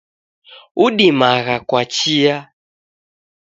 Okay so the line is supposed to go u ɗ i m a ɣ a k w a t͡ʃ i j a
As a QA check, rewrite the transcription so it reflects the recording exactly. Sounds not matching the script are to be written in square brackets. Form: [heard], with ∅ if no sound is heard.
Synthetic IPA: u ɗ i m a ɣ a k w a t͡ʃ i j a